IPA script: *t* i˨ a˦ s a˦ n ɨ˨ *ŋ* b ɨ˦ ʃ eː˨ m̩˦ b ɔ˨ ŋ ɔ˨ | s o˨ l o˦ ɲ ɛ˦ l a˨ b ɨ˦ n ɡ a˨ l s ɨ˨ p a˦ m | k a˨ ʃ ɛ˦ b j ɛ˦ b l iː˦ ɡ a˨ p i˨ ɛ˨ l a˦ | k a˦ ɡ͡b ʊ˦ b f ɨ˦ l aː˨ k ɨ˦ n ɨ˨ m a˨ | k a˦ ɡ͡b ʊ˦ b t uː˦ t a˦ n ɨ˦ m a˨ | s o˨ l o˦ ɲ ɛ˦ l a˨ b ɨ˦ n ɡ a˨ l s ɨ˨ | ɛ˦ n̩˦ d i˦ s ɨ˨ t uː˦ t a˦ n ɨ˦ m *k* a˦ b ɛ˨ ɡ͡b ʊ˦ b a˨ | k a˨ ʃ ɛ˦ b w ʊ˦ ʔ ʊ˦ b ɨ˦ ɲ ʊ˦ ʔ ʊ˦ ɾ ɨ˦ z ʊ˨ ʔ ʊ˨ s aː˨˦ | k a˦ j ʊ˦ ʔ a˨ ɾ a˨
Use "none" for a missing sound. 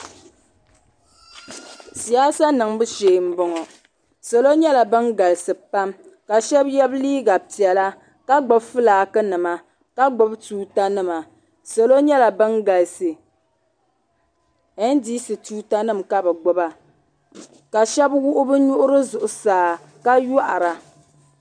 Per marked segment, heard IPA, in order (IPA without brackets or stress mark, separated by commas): s, ŋ, k